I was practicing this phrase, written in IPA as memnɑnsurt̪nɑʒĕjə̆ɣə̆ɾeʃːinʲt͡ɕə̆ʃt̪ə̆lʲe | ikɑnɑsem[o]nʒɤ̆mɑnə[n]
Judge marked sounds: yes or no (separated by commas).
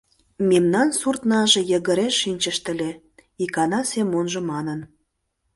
yes, yes